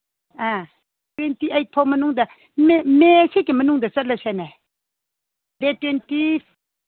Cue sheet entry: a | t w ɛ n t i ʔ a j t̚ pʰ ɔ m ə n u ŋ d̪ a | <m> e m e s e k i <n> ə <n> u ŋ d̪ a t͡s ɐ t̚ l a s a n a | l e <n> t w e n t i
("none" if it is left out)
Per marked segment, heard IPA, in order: m, m, n, none

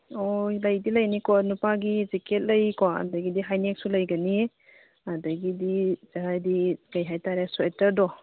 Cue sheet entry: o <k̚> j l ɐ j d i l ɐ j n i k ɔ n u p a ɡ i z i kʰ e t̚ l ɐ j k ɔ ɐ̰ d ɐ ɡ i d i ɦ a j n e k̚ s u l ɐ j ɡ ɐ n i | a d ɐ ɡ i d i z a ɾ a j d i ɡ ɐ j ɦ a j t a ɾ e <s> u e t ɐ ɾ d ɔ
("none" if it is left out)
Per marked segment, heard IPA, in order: none, s

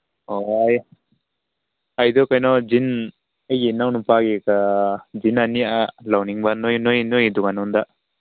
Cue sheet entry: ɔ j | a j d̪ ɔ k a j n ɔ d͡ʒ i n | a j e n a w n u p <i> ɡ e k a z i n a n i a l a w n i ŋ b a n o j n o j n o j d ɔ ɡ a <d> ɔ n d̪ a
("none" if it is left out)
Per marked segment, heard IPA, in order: a, n

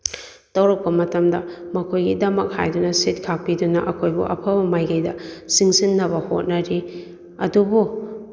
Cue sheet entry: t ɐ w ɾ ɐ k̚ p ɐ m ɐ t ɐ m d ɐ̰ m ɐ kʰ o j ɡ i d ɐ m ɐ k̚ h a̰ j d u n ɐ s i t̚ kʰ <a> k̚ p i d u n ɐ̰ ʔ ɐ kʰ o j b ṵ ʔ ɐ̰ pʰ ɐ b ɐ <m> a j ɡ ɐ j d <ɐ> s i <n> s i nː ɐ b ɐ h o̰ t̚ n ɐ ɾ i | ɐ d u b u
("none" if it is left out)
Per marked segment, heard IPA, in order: a, m, ɐ, ŋ

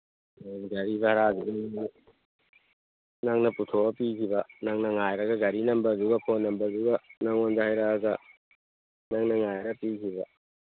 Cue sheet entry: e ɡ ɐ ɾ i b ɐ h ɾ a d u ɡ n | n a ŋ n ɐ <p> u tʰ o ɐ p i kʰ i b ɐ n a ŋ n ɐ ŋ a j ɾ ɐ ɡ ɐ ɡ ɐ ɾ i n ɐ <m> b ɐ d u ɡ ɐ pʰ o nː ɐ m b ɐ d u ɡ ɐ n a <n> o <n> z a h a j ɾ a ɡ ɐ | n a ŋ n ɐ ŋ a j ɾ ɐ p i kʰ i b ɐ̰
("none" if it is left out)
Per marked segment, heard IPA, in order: p, m, ŋ, n

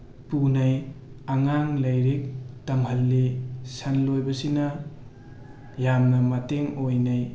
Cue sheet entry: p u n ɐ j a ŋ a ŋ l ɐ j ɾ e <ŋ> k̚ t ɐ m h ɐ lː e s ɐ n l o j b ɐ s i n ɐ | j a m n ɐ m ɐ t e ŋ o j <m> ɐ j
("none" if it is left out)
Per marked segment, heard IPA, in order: none, n

